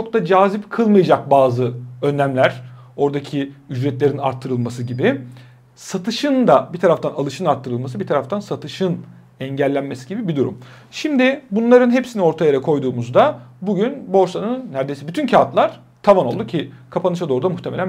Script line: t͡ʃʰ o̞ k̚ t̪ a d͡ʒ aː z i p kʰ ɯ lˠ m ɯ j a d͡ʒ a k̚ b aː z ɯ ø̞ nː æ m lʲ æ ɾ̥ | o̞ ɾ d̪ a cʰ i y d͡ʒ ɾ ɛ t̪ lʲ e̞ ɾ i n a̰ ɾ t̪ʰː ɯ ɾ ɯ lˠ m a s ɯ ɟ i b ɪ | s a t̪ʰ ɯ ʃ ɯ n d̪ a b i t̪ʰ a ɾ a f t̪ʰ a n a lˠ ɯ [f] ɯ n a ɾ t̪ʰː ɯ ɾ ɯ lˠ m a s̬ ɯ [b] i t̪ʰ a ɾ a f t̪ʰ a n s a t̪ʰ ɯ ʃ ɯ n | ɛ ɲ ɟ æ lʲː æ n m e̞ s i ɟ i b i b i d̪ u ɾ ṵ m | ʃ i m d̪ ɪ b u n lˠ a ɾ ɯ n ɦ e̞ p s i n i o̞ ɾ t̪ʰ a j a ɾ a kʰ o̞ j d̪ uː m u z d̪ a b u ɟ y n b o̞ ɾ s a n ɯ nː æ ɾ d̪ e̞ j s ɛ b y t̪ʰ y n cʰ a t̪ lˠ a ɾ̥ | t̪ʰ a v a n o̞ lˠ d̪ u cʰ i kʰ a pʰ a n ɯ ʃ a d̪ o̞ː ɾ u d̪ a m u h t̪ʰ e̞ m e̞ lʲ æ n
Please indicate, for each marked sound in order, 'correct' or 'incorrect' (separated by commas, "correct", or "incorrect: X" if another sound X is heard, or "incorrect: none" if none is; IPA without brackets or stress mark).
incorrect: ʃ, correct